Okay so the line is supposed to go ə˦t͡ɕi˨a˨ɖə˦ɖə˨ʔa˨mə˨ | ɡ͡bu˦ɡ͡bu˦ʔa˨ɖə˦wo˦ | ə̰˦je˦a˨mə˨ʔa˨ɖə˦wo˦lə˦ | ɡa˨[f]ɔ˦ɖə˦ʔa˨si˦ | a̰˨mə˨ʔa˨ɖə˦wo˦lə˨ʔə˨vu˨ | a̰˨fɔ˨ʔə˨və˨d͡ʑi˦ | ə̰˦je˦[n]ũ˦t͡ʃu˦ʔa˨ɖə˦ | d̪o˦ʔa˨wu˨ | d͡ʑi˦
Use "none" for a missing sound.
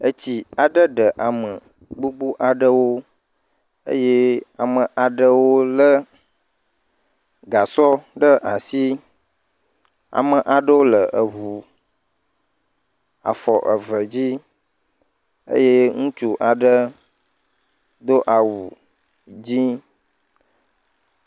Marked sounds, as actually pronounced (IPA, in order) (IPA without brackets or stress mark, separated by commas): s, ŋ